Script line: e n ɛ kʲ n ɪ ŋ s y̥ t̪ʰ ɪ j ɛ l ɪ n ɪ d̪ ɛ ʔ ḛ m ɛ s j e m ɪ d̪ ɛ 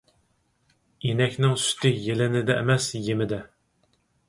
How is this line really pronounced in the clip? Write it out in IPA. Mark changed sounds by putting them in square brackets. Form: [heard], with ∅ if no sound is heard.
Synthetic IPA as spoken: e n ɛ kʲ n ɪ ŋ s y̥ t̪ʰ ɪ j [e] l ɪ n ɪ d̪ ɛ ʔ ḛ m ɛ s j e m ɪ d̪ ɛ